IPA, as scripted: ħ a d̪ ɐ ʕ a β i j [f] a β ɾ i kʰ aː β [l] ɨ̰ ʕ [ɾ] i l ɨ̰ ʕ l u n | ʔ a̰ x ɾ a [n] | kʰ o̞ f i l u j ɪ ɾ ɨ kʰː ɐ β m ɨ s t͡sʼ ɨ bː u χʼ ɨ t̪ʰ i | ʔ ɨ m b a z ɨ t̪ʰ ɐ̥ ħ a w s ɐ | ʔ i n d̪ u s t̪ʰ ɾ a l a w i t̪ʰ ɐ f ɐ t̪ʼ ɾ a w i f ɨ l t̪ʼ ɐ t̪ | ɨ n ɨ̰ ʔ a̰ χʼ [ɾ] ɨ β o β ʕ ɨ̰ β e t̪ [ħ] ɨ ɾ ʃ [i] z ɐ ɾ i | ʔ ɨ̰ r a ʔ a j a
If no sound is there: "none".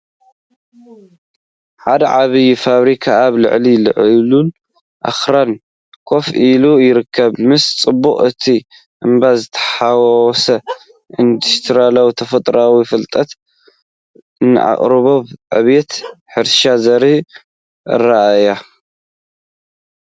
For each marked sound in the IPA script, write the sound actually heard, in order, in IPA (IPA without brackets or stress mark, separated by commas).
f, l, l, n, ɾ, ħ, a